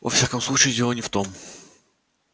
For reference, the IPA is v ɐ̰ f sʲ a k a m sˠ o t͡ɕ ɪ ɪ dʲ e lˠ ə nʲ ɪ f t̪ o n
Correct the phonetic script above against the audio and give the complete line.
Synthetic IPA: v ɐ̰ f sʲ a k ə m sˠ u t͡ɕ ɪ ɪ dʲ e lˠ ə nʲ ɪ f t̪ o m